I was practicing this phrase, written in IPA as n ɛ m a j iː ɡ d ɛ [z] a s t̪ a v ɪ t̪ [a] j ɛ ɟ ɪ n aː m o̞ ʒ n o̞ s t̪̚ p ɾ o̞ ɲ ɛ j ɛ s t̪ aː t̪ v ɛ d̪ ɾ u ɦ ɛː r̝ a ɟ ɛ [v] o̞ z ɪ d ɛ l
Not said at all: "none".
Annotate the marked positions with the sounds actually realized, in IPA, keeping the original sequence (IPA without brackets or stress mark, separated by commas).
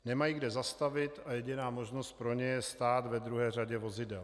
z, a, v